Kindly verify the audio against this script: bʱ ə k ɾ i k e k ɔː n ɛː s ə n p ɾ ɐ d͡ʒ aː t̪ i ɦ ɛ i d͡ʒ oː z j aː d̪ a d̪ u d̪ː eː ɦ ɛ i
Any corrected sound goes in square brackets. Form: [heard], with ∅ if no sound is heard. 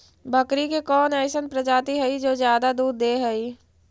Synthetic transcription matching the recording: bʱ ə k ɾ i k e k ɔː n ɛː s ə n p ɾ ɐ d͡ʒ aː t̪ i ɦ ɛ i d͡ʒ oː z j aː d̪ a d̪ [uː] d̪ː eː ɦ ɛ i

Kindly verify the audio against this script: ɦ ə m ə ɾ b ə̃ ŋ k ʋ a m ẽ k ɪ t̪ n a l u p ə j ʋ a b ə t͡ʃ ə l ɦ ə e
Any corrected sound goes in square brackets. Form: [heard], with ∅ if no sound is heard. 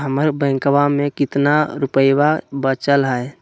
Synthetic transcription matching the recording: ɦ ə m ə ɾ b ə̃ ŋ k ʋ a m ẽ k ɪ t̪ n a [ɾ] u p ə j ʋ a b ə t͡ʃ ə l ɦ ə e

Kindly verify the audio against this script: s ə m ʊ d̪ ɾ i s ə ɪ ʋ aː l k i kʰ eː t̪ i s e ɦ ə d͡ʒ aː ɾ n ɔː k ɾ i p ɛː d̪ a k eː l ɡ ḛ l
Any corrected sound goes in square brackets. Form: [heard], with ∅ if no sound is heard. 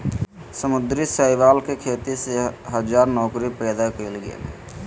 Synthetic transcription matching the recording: s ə m ʊ d̪ ɾ i s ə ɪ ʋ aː l k [e] kʰ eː t̪ i s e ɦ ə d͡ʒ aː ɾ n ɔː k ɾ i p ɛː d̪ a k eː l ɡ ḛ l

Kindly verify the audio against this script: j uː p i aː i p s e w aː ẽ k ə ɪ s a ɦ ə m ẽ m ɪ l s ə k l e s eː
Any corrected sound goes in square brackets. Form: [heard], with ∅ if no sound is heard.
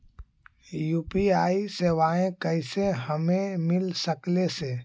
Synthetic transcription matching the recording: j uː p i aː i [∅] s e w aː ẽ k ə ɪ s [e] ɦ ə m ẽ m ɪ l s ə k l e s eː

